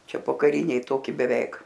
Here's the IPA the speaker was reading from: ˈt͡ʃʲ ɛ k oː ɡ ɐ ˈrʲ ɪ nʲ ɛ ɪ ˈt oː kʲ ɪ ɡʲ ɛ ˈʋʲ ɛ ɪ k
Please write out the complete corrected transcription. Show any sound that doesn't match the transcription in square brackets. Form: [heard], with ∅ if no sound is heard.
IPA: ˈt͡ʃʲ ɛ [p] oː [k] ɐ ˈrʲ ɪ nʲ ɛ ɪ ˈt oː kʲ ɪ [bʲ] ɛ ˈʋʲ ɛ ɪ k